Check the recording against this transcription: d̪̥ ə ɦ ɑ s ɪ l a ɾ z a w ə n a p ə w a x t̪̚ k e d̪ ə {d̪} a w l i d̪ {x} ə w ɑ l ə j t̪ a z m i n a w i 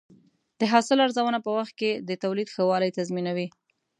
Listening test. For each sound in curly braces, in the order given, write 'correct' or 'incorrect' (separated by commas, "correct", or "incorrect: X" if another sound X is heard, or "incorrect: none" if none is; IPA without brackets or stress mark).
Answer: incorrect: t̪, correct